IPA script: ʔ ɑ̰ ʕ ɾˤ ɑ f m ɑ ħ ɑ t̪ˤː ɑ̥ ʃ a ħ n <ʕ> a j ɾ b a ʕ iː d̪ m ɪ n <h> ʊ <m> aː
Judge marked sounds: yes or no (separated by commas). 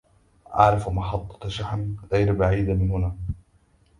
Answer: no, yes, no